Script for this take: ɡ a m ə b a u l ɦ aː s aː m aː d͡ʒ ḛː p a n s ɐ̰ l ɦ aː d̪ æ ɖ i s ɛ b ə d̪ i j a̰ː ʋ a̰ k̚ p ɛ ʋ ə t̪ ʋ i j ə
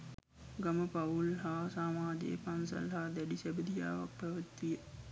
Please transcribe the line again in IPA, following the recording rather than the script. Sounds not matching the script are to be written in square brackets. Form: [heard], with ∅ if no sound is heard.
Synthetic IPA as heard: ɡ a m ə [p] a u l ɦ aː s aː m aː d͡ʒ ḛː p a n s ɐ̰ l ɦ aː d̪ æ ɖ i s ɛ b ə d̪ i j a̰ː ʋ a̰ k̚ p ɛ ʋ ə t̪ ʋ i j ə